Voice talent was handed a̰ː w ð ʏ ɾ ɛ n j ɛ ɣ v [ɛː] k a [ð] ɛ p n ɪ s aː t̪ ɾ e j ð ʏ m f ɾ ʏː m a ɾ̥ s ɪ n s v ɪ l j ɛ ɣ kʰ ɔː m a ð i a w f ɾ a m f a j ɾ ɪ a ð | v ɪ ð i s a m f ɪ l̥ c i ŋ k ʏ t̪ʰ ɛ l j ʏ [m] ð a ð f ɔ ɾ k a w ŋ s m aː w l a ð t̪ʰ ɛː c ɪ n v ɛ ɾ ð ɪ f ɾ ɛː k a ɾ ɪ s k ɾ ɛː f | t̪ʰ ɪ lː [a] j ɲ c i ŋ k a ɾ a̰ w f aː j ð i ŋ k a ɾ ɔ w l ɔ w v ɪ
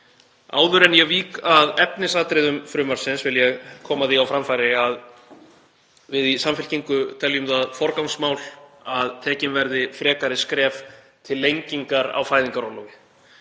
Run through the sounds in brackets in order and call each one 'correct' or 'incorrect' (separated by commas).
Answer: incorrect, correct, correct, incorrect